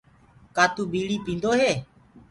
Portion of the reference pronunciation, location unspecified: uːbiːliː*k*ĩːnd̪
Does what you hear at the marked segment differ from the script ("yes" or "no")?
yes